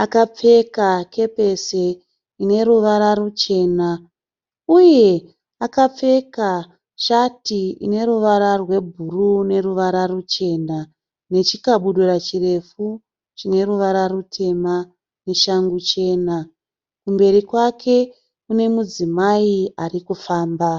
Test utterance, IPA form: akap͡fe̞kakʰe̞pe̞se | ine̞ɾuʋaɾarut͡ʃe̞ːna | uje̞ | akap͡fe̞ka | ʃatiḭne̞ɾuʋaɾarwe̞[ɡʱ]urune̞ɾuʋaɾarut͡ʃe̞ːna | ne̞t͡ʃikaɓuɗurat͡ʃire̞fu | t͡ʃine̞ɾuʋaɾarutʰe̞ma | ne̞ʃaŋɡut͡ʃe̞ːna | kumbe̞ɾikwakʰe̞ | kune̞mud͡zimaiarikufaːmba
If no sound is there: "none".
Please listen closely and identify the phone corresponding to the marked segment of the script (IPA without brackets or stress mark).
bʱ